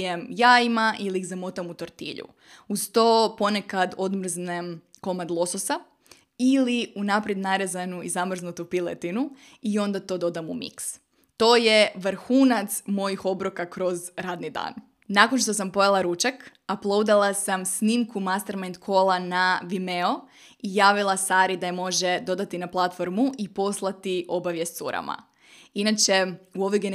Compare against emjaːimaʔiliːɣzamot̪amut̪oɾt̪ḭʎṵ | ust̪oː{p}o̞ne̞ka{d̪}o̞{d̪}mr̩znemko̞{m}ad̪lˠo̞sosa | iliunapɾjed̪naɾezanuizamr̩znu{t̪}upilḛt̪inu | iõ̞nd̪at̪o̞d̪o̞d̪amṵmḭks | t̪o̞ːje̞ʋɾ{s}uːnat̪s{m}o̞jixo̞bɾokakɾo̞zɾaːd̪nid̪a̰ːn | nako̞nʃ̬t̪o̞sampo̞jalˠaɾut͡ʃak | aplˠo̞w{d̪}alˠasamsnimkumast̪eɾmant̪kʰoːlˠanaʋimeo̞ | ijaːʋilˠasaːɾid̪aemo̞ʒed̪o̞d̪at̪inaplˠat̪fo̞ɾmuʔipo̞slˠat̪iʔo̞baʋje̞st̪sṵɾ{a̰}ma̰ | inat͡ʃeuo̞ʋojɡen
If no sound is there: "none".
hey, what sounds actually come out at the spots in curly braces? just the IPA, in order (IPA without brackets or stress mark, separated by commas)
p, d̪, d̪, m, t̪, x, m, d̪, a̰